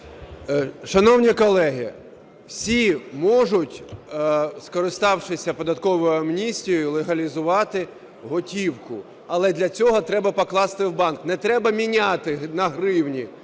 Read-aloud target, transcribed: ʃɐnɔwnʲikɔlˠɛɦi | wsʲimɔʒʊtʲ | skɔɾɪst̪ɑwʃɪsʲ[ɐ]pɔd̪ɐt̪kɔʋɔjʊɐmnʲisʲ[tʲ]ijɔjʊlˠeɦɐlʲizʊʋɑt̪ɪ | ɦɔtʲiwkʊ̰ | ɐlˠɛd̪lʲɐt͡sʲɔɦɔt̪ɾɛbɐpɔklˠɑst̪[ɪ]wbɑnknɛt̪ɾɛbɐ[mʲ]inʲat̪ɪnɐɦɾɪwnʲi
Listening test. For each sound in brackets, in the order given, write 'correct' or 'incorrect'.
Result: correct, correct, correct, correct

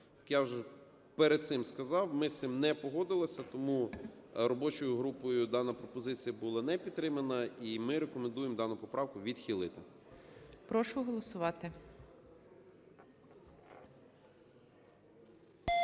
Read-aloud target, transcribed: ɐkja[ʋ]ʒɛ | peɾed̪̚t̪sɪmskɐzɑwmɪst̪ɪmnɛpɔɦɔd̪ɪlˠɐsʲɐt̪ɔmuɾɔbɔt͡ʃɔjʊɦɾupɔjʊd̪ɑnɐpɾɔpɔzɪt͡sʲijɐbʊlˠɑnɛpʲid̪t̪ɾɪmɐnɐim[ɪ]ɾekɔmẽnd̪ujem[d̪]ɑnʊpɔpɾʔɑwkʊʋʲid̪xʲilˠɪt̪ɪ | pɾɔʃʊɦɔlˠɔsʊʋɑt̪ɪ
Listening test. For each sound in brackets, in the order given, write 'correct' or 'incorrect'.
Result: incorrect: w, correct, correct

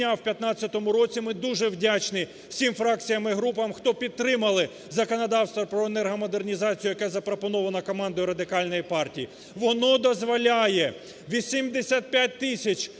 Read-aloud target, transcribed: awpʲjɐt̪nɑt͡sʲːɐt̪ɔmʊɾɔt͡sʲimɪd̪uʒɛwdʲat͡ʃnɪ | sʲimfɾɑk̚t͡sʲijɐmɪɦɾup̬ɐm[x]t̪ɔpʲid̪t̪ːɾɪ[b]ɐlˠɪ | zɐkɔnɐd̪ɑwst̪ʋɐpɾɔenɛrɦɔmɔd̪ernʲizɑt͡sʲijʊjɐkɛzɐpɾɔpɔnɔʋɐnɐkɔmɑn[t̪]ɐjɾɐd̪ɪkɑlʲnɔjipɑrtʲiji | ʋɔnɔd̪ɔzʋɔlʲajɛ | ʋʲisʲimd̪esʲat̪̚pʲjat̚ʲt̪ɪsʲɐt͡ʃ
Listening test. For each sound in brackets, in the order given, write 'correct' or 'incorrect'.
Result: correct, incorrect: m, incorrect: d̪

